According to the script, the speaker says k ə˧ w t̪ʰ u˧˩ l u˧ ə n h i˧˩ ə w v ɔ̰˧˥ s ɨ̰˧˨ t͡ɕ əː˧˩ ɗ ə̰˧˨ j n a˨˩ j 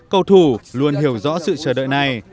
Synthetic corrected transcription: k ə˧ w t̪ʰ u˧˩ l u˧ ə n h i˧˩ ə w z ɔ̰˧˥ s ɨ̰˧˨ t͡ɕ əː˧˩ ɗ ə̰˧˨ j n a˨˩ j

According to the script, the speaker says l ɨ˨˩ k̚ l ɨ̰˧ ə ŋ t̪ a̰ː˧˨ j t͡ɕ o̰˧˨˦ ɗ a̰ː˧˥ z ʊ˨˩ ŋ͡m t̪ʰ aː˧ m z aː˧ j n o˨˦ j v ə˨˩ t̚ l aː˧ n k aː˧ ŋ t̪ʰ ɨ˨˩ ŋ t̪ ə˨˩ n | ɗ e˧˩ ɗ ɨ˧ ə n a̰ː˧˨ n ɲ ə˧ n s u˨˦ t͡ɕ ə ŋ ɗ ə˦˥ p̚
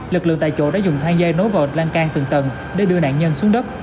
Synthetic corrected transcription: l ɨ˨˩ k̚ l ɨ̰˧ ə ŋ t̪ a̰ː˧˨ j t͡ɕ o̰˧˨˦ ɗ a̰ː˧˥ z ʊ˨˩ ŋ͡m t̪ʰ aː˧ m z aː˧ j n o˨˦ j v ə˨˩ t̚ l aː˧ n k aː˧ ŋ t̪ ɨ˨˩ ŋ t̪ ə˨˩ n | ɗ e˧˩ ɗ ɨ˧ ə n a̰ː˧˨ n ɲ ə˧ n s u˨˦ ə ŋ ɗ ə˦˥ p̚

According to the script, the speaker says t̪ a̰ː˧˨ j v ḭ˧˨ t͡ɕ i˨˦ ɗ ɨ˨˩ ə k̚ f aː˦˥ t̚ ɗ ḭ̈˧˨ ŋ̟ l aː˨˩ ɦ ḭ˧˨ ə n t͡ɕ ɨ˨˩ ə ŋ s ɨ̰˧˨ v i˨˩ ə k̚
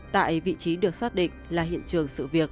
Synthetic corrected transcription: t̪ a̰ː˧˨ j v ḭ˧˨ t͡ɕ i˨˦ ɗ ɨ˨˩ ə k̚ s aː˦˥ t̚ ɗ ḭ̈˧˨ ŋ̟ l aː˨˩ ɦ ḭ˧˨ ə n t͡ɕ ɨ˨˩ ə ŋ s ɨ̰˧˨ v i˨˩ ə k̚

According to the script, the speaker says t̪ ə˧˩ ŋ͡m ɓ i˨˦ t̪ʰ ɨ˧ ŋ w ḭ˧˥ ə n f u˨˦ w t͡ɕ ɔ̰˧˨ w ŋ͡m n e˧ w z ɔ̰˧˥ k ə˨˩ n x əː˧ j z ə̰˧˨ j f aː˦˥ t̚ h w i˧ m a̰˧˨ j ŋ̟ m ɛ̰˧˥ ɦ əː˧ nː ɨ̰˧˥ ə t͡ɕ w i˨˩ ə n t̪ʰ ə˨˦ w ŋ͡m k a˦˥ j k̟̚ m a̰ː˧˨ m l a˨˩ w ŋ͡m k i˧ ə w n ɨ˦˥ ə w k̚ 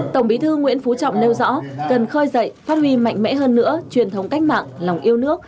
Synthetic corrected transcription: t̪ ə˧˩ ŋ͡m ɓ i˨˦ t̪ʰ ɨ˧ ŋ w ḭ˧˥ ə n f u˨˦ t͡ɕ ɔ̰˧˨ w ŋ͡m n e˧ w z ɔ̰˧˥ k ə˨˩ n x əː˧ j z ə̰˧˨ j f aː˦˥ t̚ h w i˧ m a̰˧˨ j ŋ̟ m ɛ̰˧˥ ɦ əː˧ nː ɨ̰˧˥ ə t͡ɕ w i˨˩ ə n t̪ʰ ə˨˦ w ŋ͡m k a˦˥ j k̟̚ m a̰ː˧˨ ŋ l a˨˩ w ŋ͡m ʔ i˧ ə w n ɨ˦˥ ə k̚

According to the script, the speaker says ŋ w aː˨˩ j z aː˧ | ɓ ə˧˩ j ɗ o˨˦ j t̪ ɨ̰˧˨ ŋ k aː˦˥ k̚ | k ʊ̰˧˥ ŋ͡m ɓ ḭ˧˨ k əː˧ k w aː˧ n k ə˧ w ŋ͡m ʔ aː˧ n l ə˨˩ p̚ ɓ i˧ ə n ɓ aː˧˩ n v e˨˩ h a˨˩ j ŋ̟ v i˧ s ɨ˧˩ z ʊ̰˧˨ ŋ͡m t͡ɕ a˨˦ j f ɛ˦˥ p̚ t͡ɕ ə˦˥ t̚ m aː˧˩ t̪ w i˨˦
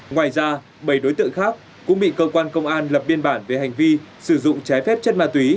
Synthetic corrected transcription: ŋ w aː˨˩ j z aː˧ | ɓ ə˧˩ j ɗ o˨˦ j t̪ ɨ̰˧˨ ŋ x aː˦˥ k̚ | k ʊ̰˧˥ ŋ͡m ɓ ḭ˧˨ k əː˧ k w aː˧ n k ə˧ w ŋ͡m ʔ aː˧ n l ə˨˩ p̚ ɓ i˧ ə n ɓ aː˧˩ n v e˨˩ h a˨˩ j ŋ̟ v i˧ s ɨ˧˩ z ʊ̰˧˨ ŋ͡m t͡ɕ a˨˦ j f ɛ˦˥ p̚ t͡ɕ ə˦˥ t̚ m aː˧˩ t̪ w i˨˦

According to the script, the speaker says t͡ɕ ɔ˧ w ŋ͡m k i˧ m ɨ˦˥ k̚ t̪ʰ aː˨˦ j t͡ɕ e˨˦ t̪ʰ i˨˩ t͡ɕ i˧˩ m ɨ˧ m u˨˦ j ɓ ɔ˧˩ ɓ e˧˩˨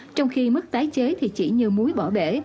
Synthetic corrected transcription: t͡ɕ ɔ˧ w ŋ͡m x i˧ m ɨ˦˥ k̚ t̪ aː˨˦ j t͡ɕ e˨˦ t̪ʰ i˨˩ t͡ɕ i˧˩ ɲ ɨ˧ m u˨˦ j ɓ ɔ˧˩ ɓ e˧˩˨

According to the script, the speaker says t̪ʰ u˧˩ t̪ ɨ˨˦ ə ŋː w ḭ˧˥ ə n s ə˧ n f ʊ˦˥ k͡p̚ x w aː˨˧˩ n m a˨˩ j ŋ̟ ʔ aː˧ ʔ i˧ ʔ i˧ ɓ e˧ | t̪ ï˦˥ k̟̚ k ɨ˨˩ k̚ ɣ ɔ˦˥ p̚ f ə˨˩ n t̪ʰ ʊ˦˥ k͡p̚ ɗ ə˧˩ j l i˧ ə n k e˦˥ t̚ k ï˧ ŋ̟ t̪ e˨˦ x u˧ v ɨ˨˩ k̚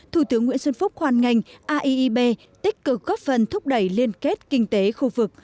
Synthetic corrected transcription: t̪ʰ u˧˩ t̪ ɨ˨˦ ə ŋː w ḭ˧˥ ə n s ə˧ n f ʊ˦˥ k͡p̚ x w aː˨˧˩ n ŋ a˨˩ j ŋ̟ ʔ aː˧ ʔ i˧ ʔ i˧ ɓ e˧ | t̪ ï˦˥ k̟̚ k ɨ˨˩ k̚ ɣ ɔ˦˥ p̚ f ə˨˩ n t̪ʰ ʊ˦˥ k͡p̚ ɗ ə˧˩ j l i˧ ə n k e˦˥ t̚ k ï˧ ŋ̟ t̪ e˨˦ x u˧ v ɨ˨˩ k̚

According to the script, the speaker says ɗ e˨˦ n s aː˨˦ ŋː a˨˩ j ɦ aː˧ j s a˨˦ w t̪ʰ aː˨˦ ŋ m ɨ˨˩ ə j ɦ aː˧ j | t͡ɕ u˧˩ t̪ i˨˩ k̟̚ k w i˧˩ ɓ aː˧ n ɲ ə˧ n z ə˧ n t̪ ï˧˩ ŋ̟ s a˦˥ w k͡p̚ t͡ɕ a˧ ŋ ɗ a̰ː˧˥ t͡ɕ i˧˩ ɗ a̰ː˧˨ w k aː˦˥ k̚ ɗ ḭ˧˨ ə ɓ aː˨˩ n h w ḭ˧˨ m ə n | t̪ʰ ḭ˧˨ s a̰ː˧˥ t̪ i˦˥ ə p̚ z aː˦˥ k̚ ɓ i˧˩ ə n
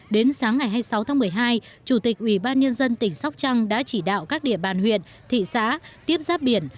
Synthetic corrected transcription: ɗ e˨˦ n s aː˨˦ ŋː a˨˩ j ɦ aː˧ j s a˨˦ w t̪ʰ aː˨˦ ŋ m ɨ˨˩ ə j ɦ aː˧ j | t͡ɕ u˧˩ t̪ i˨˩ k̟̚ ʔ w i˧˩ ɓ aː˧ n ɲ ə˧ n z ə˧ n t̪ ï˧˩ ŋ̟ s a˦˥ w k͡p̚ t͡ɕ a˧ ŋ ɗ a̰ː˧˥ t͡ɕ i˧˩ ɗ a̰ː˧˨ w k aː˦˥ k̚ ɗ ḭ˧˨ ə ɓ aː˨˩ n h w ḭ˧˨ ə n | t̪ʰ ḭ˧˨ s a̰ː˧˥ t̪ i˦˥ ə p̚ z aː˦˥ p̚ ɓ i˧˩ ə n

